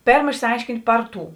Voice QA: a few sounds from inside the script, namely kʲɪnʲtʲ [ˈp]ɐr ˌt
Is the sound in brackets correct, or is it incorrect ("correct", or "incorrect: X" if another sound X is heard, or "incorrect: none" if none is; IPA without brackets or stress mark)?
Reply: correct